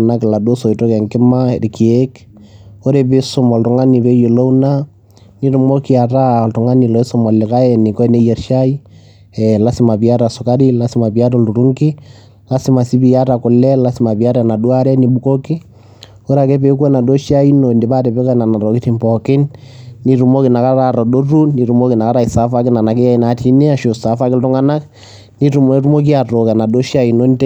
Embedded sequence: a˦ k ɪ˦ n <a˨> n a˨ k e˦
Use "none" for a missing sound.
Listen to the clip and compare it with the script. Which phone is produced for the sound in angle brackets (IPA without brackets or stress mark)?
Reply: a˨